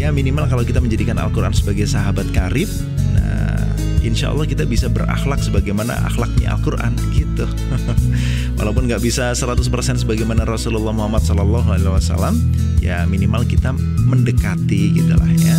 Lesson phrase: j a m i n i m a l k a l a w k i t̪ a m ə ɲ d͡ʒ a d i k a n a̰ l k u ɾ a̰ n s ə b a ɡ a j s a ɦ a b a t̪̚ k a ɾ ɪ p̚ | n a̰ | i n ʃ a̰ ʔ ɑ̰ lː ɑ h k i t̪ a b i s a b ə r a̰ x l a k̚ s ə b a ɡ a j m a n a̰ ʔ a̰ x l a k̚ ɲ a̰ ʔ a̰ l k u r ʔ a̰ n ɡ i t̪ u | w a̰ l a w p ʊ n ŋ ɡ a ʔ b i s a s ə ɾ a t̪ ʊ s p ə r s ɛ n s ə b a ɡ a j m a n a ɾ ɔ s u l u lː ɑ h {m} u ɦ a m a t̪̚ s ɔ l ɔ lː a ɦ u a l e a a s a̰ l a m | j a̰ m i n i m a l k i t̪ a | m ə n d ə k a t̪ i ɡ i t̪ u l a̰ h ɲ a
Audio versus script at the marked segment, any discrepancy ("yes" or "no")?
no